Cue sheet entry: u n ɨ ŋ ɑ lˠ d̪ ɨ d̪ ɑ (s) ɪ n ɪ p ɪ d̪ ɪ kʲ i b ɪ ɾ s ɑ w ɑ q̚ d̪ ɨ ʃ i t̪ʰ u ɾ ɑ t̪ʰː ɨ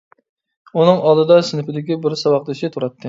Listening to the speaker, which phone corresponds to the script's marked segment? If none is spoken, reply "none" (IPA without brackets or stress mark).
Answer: s